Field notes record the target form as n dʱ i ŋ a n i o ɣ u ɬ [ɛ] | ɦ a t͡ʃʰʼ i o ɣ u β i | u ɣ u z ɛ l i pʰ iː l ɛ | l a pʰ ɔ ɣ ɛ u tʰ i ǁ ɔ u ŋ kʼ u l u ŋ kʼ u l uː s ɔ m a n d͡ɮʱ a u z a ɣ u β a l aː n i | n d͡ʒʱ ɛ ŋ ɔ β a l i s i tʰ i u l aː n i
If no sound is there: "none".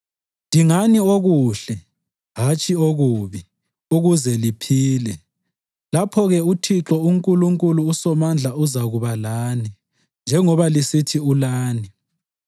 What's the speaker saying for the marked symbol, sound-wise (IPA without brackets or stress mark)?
ɛ